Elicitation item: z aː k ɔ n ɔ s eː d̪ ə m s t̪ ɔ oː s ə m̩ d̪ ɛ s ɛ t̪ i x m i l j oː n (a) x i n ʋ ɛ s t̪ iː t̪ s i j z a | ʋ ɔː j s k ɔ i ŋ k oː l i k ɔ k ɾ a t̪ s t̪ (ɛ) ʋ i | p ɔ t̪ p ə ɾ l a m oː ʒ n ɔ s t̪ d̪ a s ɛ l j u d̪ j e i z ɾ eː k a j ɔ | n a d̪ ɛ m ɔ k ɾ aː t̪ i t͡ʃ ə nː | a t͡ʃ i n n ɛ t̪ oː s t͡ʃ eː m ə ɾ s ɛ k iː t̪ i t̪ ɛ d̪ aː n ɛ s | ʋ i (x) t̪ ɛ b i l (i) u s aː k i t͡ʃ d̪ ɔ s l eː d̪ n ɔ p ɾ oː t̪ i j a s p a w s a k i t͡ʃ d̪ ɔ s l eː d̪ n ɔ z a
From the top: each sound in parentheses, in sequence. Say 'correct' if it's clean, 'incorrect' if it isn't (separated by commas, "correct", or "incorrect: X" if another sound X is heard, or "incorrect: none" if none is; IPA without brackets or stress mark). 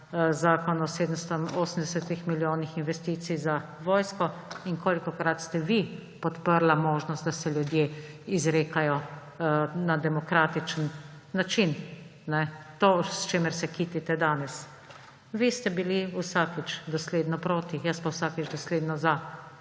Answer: incorrect: i, correct, incorrect: s, correct